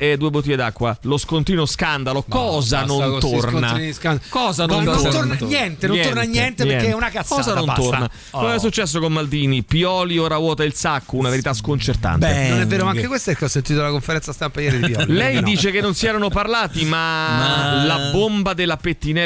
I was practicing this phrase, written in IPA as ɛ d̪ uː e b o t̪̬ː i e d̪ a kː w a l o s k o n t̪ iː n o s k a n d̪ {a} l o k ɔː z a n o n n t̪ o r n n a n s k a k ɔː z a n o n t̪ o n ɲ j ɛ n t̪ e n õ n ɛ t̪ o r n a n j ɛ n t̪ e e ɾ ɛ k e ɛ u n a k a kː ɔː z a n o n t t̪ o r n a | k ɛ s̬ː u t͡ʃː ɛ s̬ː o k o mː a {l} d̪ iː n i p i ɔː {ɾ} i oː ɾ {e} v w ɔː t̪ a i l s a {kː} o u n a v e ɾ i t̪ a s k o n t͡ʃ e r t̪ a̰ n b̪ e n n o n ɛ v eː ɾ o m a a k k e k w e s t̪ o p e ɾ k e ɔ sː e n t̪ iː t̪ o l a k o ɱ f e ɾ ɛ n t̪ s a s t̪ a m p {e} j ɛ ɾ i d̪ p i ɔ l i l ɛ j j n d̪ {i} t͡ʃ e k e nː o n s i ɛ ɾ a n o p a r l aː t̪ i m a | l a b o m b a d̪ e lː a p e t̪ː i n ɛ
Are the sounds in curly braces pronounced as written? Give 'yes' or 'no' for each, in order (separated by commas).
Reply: yes, yes, no, no, yes, no, no